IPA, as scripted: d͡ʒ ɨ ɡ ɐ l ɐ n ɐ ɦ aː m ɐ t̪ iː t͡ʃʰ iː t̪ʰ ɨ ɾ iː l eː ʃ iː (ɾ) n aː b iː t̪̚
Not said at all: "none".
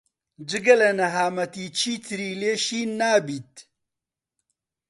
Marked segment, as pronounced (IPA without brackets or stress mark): none